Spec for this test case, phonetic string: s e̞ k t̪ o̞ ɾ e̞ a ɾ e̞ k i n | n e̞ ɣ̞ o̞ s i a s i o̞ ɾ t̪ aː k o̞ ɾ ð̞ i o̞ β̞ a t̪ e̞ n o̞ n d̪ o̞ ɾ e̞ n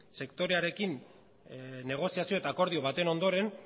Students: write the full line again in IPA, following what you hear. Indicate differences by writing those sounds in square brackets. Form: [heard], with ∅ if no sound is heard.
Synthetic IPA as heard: s e̞ k t̪ o̞ ɾ e̞ a ɾ e̞ k i n | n e̞ ɣ̞ o̞ s i a s i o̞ [∅] t̪ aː k o̞ ɾ ð̞ i o̞ β̞ a t̪ e̞ n o̞ n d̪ o̞ ɾ e̞ n